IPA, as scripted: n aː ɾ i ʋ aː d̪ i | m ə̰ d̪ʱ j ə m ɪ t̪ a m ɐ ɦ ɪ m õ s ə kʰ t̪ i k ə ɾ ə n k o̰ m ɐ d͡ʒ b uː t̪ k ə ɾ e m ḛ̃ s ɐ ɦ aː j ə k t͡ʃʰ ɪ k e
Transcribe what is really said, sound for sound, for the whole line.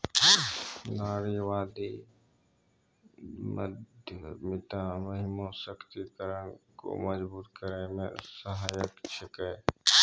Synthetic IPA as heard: n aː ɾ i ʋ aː d̪ i | m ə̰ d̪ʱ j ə m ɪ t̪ a m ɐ ɦ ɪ m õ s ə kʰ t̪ i k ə ɾ ə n k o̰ m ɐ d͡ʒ b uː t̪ k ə ɾ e m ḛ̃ s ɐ ɦ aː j ə k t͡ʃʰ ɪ k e